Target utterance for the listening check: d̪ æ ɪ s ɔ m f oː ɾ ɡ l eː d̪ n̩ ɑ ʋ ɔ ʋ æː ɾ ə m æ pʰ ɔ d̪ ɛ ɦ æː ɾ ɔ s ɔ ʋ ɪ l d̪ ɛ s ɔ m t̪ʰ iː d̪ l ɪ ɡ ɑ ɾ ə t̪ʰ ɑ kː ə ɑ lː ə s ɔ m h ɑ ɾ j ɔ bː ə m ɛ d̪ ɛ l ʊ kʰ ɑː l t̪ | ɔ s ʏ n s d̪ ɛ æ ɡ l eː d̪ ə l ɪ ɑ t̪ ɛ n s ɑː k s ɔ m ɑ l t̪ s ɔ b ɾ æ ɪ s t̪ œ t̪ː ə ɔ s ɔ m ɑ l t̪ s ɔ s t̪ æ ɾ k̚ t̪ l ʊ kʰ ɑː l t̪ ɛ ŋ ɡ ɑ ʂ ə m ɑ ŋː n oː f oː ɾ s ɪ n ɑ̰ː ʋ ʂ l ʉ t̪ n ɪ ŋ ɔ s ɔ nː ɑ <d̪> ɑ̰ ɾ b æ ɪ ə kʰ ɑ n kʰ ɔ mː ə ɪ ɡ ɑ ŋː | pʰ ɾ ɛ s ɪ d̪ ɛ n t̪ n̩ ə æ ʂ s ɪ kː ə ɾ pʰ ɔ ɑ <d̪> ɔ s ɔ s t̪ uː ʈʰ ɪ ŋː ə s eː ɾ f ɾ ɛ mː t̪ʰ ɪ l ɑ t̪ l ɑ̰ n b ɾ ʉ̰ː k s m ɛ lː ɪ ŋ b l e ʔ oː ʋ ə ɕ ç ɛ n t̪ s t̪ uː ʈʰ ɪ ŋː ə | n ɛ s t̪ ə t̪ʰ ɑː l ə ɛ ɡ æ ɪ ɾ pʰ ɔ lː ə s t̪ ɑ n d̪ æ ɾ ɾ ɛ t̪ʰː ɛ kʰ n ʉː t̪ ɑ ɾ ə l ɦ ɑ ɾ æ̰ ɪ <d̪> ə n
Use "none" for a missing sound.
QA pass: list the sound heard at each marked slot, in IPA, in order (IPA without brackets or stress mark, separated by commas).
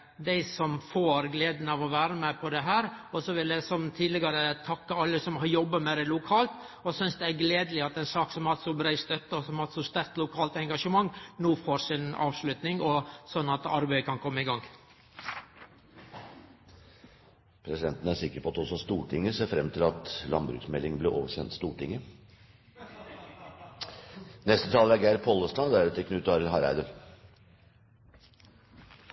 t̪, t̪, d̪